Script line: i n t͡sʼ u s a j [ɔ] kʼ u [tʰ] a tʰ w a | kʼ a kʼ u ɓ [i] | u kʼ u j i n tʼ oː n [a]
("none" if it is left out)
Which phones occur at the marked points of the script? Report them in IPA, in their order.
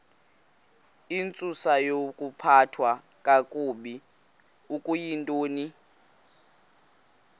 o, pʰ, i, i

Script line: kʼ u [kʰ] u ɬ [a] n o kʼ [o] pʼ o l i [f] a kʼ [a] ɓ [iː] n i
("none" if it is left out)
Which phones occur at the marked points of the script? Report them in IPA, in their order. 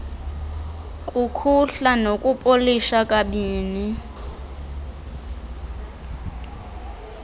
kʰ, a, u, ʃ, a, iː

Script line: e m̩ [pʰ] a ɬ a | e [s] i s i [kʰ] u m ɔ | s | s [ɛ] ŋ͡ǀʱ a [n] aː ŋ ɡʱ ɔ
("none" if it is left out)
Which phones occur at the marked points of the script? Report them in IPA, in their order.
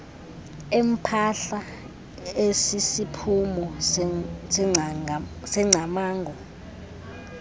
pʰ, s, pʰ, ɛ, m

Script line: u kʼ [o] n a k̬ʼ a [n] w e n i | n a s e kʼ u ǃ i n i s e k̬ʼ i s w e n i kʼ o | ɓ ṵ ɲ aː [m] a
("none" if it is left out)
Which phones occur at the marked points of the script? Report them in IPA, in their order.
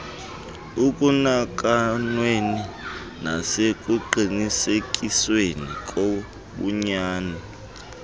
u, n, n

